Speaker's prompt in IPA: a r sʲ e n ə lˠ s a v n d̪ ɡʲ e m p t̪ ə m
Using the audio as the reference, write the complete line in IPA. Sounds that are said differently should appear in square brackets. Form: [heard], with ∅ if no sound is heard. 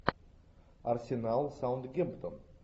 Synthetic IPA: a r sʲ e n [a] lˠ s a [w] n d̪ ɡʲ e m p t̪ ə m

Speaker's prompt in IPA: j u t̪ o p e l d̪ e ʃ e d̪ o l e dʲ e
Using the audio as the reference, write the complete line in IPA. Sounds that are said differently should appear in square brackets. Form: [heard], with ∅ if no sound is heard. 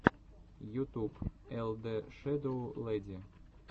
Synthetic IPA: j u t̪ [u] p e l d̪ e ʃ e d̪ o l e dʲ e

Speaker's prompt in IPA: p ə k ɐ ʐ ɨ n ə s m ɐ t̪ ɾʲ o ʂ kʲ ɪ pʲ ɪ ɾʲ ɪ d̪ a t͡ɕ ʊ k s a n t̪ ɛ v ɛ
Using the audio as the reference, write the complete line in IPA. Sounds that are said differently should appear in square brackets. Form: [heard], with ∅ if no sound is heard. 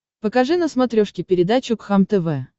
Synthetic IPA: p ə k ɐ ʐ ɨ n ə s m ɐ t̪ ɾʲ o ʂ kʲ ɪ pʲ ɪ ɾʲ ɪ d̪ a t͡ɕ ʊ k [x] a [m] t̪ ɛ v ɛ

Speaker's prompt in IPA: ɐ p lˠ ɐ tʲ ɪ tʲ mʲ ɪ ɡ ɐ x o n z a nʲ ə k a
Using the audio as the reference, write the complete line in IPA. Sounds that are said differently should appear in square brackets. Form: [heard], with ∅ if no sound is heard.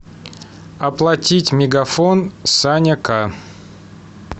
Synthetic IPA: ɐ p lˠ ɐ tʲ [i] tʲ mʲ ɪ ɡ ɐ [f] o n [s] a nʲ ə k a

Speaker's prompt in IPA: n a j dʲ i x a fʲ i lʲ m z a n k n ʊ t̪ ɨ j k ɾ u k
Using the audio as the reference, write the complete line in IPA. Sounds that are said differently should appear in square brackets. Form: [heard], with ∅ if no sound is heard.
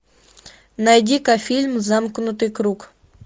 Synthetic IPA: n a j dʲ i [k] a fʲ i lʲ m z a [m] k n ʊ t̪ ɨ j k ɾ u k

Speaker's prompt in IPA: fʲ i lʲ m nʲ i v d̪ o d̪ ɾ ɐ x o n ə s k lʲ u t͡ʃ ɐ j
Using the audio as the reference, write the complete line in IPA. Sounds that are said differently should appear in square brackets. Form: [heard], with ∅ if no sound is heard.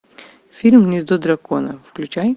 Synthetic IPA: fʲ i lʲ m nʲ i [z] d̪ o d̪ ɾ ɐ [k] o n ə [f] k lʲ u t͡ʃ [a] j

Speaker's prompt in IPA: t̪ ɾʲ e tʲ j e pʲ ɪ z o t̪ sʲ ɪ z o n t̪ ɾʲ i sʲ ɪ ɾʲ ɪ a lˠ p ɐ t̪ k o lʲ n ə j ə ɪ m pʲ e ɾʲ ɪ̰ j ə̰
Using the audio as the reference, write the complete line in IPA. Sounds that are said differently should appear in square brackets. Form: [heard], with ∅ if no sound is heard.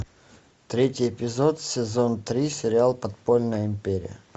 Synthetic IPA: t̪ ɾʲ e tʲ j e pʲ ɪ z o t̪ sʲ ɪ z o n t̪ ɾʲ i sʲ ɪ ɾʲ ɪ a lˠ p ɐ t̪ [p] o lʲ n ə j ə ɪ m pʲ e ɾʲ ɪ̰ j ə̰

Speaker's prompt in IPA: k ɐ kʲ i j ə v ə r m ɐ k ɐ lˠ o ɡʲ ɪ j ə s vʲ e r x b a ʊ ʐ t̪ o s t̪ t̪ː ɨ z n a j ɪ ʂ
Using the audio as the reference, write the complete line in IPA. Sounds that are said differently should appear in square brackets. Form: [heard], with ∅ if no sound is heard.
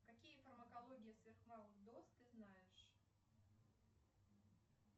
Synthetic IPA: k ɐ kʲ i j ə [f] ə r m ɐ k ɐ lˠ o ɡʲ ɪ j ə s vʲ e r x [m] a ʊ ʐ [d̪] o s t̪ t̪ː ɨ z n a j ɪ ʂ

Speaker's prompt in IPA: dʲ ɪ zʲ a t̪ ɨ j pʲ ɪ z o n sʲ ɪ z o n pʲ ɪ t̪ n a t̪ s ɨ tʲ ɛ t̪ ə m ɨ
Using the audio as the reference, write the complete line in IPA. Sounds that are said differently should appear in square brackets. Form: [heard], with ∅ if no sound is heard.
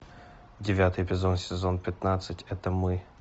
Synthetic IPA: dʲ ɪ [vʲ] a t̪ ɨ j pʲ ɪ z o n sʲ ɪ z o n pʲ ɪ t̪ n a t̪ s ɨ tʲ ɛ t̪ ə m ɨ

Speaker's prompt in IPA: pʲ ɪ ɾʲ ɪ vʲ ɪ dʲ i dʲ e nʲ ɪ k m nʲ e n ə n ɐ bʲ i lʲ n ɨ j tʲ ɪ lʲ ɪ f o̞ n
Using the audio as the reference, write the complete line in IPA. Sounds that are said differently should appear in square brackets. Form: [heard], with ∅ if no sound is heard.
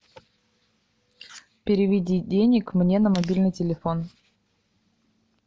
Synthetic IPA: pʲ ɪ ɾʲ ɪ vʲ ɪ dʲ i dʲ e nʲ ɪ k m nʲ e n ə [m] ɐ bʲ i lʲ n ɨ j tʲ ɪ lʲ ɪ f o̞ n

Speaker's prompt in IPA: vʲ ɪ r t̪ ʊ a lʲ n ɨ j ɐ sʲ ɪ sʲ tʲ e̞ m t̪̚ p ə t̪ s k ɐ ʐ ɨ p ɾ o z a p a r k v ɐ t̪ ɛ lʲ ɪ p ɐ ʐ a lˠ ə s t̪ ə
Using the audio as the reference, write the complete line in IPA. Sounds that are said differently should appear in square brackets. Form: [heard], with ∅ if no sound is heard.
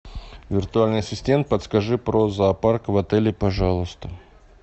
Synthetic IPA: vʲ ɪ r t̪ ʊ a lʲ n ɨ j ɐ sʲ ɪ sʲ tʲ e̞ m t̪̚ p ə t̪ s k ɐ ʐ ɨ p ɾ o z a p a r k v ɐ t̪ ɛ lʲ ɪ p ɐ ʐ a lˠ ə s t̪ ə

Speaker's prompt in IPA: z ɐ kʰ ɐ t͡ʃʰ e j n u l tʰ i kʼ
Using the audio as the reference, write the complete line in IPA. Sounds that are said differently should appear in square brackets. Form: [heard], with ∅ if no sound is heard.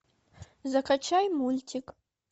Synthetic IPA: z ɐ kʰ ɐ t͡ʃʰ [a] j [m] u l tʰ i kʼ

